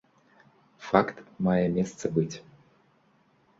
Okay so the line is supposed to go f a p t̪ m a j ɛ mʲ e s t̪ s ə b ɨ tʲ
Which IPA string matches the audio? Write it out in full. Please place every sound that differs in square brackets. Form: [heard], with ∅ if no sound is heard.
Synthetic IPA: f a [k] t̪ m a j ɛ mʲ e s t̪ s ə b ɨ tʲ